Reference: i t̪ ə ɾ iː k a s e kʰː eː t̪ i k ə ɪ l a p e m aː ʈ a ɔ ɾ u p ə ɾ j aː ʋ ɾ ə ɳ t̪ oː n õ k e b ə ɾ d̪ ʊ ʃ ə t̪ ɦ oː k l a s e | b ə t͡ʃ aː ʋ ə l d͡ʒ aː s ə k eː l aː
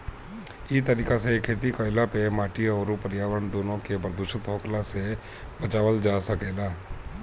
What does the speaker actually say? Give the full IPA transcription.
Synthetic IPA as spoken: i t̪ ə ɾ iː k a s e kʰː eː t̪ i k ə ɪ l a p e m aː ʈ i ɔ ɾ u p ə ɾ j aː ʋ ɾ ə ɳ d̪ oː n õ k e b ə ɾ d̪ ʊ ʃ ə t̪ ɦ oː k l a s e | b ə t͡ʃ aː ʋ ə l d͡ʒ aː s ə k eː l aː